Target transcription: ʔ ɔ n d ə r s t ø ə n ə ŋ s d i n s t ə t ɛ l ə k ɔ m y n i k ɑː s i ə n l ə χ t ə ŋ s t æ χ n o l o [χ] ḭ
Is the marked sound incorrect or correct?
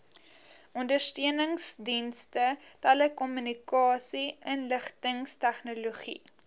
correct